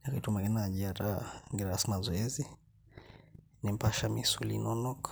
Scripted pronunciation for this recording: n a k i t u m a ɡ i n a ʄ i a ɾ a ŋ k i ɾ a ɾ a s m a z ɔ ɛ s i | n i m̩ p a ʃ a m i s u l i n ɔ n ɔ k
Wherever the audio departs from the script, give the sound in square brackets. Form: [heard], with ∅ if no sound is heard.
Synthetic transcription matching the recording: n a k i t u m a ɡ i n a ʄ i a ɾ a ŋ [ɡ] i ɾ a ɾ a s m a z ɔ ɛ [z] i | n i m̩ p a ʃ a m i s u l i n ɔ n ɔ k